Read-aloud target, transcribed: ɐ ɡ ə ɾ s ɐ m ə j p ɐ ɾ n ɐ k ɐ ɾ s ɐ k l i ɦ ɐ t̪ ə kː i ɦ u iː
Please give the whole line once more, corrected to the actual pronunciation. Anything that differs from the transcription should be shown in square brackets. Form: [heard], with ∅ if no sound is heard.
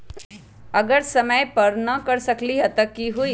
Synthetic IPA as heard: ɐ ɡ ə ɾ s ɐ m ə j p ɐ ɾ n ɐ k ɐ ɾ s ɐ k l i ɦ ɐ t̪ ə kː i ɦ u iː